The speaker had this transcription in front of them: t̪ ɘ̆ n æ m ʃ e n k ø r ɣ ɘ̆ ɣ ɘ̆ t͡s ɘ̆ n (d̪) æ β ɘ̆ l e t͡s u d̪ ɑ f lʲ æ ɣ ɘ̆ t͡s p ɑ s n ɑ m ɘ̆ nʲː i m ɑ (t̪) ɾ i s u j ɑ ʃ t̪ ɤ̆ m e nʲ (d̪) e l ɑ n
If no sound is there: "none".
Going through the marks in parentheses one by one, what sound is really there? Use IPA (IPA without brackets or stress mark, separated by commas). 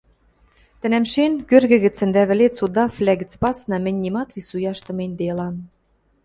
d̪, t̪, d̪